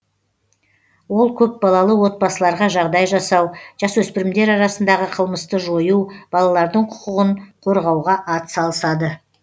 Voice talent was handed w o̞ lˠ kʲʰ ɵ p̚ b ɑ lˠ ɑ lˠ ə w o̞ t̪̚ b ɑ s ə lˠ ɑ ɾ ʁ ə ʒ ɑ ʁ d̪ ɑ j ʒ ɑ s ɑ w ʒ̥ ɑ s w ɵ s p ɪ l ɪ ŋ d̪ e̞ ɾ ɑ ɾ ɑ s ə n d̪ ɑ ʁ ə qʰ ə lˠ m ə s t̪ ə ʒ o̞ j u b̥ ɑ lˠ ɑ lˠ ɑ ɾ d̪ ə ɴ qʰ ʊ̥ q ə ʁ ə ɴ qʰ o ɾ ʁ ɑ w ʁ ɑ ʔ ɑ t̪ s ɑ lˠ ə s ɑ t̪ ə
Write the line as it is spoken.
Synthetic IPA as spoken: w o̞ lˠ kʲʰ ɵ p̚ b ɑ lˠ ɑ lˠ ə w o̞ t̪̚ b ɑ s ə lˠ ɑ ɾ ʁ ɑ ʒ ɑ ʁ d̪ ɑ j ʒ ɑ s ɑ w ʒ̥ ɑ s w ɵ s p ɪ ɾ ɪ m d̪ e̞ ɾ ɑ ɾ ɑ s ə n d̪ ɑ ʁ ə qʰ ə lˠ m ə s t̪ ə ʒ o̞ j u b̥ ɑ lˠ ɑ lˠ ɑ ɾ d̪ ə ɴ qʰ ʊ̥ q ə ʁ ə ɴ qʰ o ɾ ʁ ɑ w ʁ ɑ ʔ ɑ t̪ s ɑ lˠ ə s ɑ d̪ ə